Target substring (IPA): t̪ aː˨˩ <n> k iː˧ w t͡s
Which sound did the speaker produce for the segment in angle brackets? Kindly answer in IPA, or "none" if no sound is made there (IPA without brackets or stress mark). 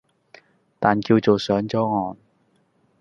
n